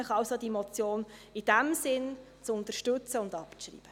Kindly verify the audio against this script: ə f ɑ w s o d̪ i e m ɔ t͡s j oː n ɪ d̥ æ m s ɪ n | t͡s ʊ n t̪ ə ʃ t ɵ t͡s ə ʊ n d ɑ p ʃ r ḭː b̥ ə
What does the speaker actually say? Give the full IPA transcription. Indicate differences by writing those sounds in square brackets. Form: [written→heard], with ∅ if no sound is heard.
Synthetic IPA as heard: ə [f→χ] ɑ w s o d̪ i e m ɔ t͡s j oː n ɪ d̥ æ m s ɪ n | t͡s ʊ n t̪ ə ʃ t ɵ t͡s ə ʊ n d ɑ p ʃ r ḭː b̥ ə